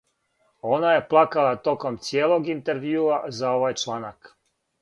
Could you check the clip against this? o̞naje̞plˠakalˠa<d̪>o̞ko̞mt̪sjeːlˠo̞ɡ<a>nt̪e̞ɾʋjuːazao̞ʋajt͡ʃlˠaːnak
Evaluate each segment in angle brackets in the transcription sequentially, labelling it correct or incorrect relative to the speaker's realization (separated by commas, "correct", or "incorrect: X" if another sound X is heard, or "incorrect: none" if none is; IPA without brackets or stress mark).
incorrect: t̪, incorrect: i